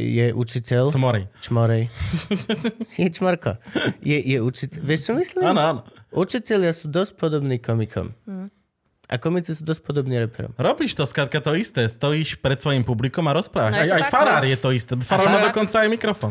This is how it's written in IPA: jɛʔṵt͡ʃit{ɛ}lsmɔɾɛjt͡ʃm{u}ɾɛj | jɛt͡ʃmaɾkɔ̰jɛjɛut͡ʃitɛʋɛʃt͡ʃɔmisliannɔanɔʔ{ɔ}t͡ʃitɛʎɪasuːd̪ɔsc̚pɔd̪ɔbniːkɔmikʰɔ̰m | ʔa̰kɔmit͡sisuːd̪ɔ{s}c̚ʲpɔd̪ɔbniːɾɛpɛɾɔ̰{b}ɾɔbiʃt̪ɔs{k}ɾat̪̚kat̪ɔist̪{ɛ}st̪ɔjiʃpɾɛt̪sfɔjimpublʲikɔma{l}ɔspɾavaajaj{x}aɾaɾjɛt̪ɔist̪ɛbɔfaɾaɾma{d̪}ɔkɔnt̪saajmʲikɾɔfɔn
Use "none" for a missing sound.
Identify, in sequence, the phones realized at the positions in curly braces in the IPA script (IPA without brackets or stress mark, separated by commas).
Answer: ɛ, ɔ, u, s, m, k, ɛ, ɾ, f, d̪